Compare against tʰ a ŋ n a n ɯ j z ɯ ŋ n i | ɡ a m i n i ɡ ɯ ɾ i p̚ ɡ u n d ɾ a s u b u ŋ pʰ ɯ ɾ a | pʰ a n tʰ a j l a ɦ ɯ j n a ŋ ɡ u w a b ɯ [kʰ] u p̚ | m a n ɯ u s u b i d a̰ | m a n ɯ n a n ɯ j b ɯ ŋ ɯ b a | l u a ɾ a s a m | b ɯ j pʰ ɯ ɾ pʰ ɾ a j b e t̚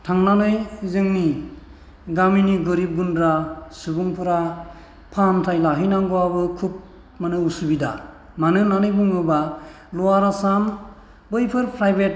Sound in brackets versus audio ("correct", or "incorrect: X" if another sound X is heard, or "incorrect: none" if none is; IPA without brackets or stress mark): correct